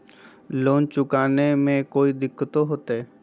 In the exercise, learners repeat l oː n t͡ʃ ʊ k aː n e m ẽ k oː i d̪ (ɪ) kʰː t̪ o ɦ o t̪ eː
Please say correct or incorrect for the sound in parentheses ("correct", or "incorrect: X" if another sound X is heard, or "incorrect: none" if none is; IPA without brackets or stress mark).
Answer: correct